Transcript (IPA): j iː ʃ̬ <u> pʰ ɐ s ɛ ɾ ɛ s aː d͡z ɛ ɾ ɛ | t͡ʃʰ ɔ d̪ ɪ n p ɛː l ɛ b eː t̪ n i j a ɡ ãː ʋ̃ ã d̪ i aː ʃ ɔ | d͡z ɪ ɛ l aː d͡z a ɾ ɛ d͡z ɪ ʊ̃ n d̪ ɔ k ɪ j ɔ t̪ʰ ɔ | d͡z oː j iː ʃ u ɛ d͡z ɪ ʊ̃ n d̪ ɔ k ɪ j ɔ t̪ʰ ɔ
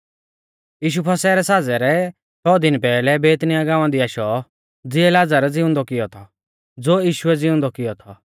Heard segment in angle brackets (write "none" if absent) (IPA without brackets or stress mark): u